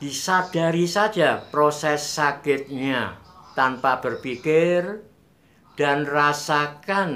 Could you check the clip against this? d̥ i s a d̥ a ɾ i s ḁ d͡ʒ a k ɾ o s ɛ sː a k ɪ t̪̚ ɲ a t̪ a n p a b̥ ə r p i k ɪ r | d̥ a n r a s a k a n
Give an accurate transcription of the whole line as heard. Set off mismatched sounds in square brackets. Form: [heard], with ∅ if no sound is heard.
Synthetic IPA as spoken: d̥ i s a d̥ a ɾ i s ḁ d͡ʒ a [p] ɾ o s ɛ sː a k ɪ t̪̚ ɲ a t̪ a n p a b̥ ə r p i k ɪ r | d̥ a n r a s a k a n